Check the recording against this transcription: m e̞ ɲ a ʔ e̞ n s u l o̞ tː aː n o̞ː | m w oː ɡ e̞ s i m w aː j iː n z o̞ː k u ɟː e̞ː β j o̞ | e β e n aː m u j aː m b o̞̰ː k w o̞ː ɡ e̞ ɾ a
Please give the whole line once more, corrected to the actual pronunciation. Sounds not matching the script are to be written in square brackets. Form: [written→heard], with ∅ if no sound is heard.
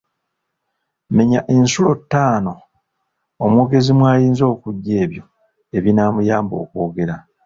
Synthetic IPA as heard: m e̞ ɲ a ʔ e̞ n s u l o̞ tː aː n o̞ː | m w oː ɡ e̞ [s→z] i m w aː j iː n z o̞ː k u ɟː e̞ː β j o̞ | e β [e→i] n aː m u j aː m b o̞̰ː k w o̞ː ɡ e̞ ɾ a